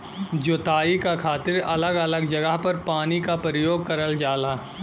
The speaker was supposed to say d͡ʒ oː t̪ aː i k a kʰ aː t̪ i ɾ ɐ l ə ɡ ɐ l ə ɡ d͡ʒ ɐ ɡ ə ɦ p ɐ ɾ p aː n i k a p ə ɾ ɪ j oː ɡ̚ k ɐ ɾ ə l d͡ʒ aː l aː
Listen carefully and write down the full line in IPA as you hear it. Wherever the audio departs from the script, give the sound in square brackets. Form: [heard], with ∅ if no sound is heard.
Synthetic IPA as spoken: d͡ʒ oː t̪ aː i k a kʰ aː t̪ [ɪ] ɾ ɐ l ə ɡ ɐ l ə ɡ d͡ʒ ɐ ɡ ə ɦ p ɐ ɾ p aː n i k a p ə ɾ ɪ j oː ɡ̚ k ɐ ɾ ə l d͡ʒ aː l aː

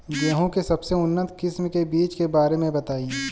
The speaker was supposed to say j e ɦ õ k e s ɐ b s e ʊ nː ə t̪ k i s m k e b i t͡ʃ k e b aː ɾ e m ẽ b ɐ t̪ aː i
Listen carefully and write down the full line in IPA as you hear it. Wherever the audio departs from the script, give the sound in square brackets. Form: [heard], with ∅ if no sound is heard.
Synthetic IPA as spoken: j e ɦ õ k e s ɐ b s e ʊ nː ə t̪ k [ɪ] s m k e b [iː] t͡ʃ k e b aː ɾ e m ẽ b ɐ t̪ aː i

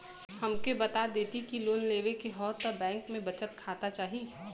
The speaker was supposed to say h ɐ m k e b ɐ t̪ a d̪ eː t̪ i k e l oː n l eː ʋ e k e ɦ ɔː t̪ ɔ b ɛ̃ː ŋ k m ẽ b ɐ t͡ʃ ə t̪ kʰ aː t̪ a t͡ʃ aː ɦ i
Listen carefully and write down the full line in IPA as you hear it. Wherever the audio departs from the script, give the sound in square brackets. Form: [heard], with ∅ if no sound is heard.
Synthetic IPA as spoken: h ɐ m k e b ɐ t̪ a d̪ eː t̪ i k [i] l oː n l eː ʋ e k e ɦ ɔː t̪ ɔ b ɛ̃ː ŋ k m ẽ b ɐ t͡ʃ ə t̪ kʰ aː t̪ a t͡ʃ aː ɦ i

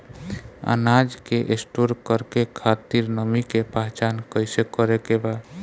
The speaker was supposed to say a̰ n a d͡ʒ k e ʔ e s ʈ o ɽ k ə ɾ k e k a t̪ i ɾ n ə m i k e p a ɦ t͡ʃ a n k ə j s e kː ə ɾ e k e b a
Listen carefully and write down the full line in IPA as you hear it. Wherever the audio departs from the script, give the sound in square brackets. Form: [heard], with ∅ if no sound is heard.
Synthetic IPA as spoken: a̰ n a d͡ʒ k e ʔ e s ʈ o [ɾ] k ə ɾ k e [kʰ] a t̪ i ɾ n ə m i k e p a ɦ t͡ʃ a n k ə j s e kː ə ɾ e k e b a

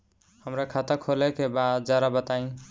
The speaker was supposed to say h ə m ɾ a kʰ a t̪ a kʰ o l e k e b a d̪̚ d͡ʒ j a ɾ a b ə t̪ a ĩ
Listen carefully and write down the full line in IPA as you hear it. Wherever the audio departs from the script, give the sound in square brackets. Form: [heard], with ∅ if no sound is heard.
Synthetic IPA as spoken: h ə m ɾ a kʰ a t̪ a kʰ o l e k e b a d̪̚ d͡ʒ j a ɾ a b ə t̪ a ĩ

